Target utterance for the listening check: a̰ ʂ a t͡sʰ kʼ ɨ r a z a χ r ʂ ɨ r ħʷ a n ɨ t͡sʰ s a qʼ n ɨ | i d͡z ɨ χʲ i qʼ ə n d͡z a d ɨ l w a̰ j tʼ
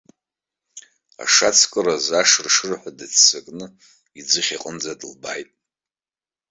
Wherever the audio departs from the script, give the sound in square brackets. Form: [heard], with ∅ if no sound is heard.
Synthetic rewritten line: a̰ ʂ a t͡sʰ kʼ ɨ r a z a [ʂ] r ʂ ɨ r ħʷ a [d] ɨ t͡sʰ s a [kʼ] n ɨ | i d͡z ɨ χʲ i qʼ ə n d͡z a d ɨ l [b] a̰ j tʼ